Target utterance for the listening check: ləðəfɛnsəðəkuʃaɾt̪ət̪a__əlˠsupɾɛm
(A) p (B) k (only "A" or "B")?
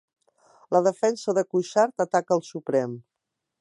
B